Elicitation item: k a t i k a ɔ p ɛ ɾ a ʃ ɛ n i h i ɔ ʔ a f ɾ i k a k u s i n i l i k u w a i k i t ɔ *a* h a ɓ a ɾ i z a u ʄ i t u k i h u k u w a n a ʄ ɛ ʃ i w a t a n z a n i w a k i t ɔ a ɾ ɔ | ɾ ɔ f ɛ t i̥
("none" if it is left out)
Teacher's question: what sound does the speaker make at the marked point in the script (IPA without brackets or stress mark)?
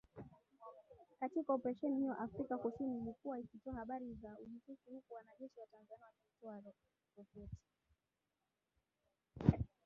a